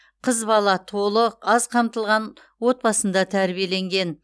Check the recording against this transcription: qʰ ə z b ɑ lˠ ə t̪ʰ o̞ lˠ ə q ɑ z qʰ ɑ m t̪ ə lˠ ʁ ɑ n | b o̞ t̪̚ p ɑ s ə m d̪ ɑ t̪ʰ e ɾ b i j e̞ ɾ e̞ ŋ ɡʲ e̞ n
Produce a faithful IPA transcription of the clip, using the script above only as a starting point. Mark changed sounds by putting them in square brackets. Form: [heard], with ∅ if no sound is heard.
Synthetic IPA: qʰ ə z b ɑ lˠ [ɑ] t̪ʰ o̞ lˠ ə q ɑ z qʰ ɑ m t̪ ə lˠ ʁ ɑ n | [w] o̞ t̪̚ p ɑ s ə [n] d̪ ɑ t̪ʰ [æ] ɾ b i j e̞ [l] e̞ ŋ ɡʲ e̞ n